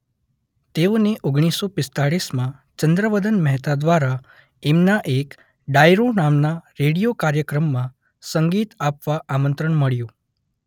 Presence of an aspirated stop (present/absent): absent